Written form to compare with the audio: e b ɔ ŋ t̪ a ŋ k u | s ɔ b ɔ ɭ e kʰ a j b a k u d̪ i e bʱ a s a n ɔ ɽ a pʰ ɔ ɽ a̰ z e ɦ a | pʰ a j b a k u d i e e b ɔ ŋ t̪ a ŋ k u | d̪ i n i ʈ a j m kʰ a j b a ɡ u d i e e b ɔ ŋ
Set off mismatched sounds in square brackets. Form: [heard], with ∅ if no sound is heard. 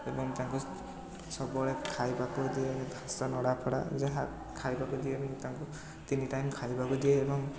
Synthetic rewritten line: e b ɔ ŋ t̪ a ŋ k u | s ɔ b ɔ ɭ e kʰ a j b a k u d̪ i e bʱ a s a n ɔ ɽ a pʰ ɔ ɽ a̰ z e ɦ a | [kʰ] a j b a k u d i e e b ɔ ŋ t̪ a ŋ k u | [t̪] i n i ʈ a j m kʰ a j b a [k] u d i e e b ɔ ŋ